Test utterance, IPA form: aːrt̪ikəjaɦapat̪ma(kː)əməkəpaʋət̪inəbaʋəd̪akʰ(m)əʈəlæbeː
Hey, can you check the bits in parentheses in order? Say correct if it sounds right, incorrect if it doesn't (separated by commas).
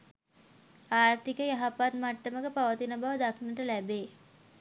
incorrect, incorrect